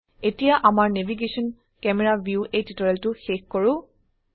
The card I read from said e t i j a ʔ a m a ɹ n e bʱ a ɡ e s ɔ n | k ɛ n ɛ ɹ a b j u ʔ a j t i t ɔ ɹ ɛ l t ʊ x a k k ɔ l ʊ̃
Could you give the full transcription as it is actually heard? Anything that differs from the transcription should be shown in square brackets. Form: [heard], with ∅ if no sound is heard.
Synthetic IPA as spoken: e t i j a ʔ a m a ɹ n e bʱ [i] ɡ e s ɔ n | k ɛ [m] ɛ ɹ a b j u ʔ [e] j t i t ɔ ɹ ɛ l t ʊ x [e] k k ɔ [ɹ] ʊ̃